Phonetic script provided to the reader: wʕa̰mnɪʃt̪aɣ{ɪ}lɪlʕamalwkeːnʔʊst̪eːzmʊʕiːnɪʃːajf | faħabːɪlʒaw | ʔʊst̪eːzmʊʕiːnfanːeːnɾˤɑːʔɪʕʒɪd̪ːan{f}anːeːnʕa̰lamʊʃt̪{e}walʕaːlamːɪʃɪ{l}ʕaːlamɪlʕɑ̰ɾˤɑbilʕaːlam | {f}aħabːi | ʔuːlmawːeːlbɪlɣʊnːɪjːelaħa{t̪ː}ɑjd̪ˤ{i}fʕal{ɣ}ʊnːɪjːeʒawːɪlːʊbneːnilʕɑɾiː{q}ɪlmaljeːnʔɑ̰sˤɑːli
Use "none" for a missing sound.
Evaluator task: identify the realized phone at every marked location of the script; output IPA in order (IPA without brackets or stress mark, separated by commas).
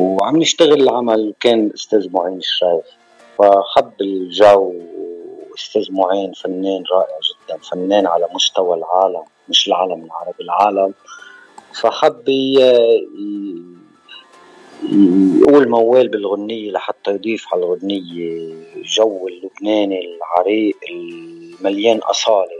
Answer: ɪ, f, a, l, f, t̪ː, iː, ɣ, ʔ